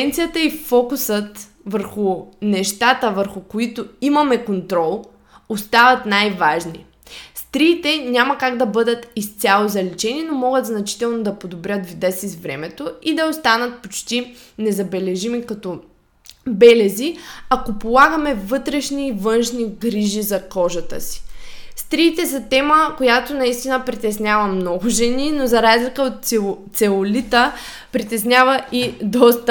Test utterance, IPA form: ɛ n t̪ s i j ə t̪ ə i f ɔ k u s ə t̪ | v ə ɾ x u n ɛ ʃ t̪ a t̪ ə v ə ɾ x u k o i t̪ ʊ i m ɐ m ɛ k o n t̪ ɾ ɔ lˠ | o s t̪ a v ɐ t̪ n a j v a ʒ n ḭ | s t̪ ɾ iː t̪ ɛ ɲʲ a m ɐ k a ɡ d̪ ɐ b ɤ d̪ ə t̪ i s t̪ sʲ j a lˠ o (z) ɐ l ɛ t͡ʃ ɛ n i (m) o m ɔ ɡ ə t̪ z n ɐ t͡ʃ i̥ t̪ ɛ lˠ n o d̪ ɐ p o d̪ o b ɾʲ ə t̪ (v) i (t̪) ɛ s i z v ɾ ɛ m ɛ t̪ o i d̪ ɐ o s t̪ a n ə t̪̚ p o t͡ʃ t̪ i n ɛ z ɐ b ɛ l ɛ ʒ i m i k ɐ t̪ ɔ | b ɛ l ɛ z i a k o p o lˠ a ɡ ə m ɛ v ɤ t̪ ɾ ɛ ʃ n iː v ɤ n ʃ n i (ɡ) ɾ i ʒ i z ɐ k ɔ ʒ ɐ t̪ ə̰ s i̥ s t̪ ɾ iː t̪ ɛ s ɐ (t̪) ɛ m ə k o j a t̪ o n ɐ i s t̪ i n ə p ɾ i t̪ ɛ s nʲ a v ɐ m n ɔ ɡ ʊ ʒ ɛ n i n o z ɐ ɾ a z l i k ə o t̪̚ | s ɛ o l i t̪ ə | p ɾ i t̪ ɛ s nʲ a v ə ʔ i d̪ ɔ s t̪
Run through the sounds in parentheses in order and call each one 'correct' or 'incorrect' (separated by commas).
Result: correct, incorrect, correct, incorrect, correct, correct